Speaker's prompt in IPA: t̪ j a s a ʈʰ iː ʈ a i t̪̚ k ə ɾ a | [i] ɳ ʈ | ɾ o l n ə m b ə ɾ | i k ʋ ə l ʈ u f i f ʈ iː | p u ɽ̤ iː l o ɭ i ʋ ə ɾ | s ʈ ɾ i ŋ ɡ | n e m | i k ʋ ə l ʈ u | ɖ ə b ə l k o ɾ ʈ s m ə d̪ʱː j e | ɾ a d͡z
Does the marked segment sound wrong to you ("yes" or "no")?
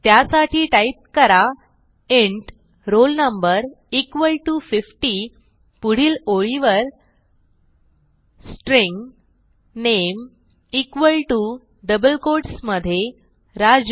yes